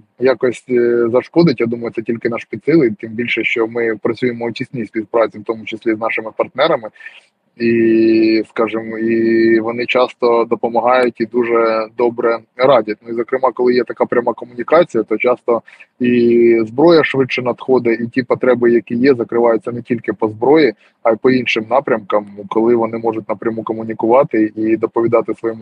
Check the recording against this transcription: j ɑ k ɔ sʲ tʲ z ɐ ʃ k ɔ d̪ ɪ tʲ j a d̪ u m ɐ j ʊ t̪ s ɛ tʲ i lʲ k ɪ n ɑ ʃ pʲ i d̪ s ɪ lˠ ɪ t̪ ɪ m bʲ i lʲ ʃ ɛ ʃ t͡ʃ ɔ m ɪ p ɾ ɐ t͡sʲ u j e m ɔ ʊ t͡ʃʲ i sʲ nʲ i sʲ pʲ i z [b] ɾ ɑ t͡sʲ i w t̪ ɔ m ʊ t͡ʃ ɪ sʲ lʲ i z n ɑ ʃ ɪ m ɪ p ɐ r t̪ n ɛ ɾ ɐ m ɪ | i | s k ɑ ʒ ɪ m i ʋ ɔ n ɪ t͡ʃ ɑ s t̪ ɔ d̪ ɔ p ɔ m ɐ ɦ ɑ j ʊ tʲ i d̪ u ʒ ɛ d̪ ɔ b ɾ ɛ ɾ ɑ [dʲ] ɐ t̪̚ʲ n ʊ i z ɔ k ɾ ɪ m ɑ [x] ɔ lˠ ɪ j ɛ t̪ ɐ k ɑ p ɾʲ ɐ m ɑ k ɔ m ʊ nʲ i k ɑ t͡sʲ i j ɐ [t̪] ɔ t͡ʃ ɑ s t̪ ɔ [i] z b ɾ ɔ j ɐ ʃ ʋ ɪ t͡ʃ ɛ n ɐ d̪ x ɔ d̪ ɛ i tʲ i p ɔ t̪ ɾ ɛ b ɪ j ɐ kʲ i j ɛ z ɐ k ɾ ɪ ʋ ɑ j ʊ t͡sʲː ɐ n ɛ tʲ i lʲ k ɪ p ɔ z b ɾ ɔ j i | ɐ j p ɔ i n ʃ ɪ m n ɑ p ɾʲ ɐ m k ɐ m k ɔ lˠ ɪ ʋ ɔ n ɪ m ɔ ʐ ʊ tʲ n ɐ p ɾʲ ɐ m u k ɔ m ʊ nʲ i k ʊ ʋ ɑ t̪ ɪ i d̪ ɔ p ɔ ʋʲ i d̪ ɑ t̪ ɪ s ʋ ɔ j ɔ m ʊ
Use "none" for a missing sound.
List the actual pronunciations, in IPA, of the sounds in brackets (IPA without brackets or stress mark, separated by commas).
p, dʲ, k, t̪, i